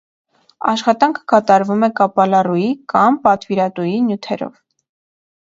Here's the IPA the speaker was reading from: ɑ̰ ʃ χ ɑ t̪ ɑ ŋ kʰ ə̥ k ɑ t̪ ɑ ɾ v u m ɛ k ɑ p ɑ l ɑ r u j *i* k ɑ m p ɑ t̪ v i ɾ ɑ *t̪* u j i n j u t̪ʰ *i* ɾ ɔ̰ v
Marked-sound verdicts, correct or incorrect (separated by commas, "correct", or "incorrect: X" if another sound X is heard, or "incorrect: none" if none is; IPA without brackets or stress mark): correct, correct, incorrect: ɛ